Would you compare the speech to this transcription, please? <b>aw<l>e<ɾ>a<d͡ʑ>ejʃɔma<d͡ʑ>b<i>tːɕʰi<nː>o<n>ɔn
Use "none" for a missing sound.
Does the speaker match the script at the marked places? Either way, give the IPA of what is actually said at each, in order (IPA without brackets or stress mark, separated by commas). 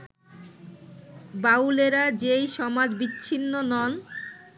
b, l, ɾ, d͡ʑ, d͡ʑ, i, nː, n